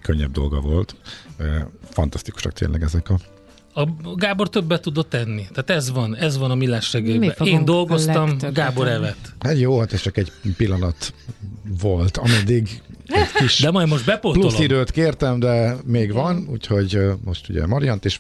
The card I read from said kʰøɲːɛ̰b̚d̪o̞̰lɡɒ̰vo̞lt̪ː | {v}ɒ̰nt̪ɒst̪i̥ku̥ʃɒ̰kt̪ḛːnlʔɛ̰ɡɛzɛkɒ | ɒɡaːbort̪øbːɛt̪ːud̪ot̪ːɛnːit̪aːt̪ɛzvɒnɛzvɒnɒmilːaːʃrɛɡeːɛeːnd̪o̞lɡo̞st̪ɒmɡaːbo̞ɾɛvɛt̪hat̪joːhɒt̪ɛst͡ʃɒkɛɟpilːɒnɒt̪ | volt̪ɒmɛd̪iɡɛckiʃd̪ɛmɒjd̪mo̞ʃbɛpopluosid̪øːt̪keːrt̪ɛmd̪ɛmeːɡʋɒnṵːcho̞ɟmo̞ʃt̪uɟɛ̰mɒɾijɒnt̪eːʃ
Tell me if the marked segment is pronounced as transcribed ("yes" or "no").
no